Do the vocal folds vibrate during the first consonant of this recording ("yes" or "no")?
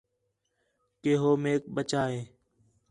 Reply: no